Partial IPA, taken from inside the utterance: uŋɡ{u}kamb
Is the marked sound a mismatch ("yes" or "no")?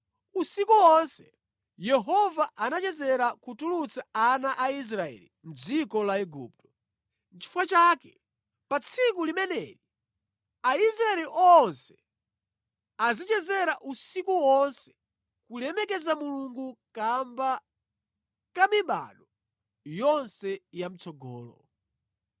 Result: no